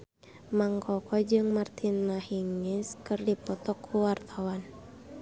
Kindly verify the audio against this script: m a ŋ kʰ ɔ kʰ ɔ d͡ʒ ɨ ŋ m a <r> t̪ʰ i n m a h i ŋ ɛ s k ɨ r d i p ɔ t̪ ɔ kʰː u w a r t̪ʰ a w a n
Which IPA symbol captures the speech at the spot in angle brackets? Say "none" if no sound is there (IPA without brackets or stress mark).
r